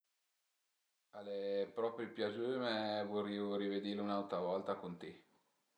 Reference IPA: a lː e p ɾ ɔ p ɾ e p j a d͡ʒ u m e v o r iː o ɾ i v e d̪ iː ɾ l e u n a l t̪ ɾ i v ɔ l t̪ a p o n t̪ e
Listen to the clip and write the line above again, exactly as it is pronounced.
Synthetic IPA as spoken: a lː e p ɾ ɔ p ɾ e p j a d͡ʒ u m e v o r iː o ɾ i v e d̪ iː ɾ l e u n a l t̪ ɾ a v ɔ l t̪ a k o n t̪ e